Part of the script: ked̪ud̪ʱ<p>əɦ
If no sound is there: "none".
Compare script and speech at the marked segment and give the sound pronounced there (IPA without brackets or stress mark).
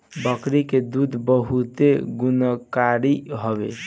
b